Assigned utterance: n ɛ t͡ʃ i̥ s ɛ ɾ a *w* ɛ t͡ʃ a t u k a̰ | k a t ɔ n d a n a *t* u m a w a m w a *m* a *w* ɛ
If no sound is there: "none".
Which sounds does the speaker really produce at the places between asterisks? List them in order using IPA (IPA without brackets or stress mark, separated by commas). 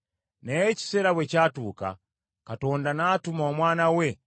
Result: w, t, n, w